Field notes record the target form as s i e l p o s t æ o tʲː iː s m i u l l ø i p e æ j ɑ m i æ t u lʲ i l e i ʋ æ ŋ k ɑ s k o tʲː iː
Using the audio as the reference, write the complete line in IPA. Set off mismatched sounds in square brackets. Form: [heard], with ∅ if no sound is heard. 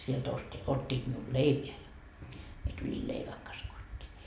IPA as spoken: s i e l [t] o s t [i] o tʲː iː [t] m i u l l [e] i p e æ j ɑ m i [e] t u lʲ i l e i ʋ æ ŋ k ɑ s k o tʲː iː